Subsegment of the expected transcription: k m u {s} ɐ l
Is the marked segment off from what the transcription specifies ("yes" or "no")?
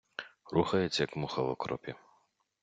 yes